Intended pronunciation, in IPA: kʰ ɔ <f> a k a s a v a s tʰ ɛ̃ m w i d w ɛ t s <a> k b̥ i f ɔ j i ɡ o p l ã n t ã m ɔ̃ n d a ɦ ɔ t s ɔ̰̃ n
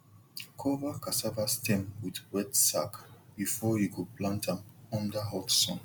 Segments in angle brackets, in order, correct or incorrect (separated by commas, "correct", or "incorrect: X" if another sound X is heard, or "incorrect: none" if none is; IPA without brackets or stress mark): incorrect: v, correct